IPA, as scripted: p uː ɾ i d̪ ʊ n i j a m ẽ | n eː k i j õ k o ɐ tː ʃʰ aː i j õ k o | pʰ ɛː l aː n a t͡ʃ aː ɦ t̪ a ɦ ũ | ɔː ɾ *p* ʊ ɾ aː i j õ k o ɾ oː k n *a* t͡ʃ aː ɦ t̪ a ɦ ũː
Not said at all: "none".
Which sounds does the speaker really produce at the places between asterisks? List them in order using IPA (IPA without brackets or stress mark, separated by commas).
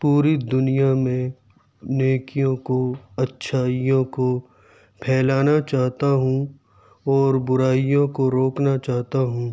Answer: b, a